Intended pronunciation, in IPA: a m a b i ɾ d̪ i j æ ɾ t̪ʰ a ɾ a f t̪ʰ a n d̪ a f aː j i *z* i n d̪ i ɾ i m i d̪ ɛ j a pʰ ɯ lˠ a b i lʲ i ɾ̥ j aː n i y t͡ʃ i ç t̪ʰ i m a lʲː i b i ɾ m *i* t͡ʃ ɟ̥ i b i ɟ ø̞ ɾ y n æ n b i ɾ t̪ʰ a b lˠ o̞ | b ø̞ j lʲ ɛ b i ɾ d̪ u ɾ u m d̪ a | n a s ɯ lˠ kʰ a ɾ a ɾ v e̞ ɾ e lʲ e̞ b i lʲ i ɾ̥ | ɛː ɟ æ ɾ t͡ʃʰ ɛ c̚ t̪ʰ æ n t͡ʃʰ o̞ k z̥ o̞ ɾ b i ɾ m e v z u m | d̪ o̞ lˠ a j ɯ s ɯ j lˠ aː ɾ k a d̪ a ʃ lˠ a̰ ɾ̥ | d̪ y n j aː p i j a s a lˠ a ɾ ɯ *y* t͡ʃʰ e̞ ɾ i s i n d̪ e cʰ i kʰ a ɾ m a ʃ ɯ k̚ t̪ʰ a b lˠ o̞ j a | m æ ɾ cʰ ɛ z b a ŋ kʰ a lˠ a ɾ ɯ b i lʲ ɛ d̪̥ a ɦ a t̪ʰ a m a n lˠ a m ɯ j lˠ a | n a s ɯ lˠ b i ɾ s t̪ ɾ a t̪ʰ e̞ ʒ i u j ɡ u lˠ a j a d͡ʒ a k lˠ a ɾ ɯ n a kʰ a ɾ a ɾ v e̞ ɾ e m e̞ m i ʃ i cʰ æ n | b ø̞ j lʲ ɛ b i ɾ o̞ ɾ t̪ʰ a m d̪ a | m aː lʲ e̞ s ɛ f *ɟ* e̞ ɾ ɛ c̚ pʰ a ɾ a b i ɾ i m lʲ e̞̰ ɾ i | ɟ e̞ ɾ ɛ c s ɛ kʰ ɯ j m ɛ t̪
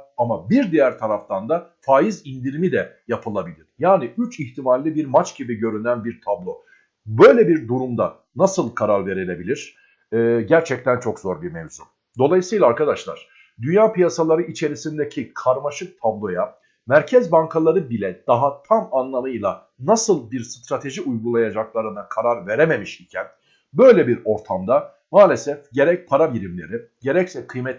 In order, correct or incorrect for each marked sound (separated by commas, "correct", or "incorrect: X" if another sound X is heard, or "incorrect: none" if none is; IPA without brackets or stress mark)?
correct, incorrect: a, incorrect: i, correct